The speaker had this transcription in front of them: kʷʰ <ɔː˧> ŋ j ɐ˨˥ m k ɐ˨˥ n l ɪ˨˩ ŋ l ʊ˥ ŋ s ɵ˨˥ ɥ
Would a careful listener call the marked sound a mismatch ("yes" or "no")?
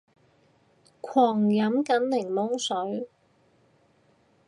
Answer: yes